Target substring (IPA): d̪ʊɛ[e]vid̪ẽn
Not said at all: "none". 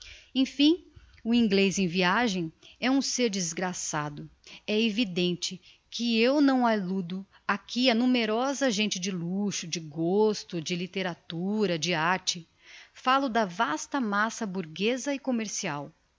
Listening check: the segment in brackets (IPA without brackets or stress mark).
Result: e